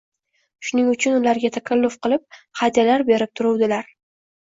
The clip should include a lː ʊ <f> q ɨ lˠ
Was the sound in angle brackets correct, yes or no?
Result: yes